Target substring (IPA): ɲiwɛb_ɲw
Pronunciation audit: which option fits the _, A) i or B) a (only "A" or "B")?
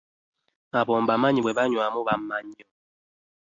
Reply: B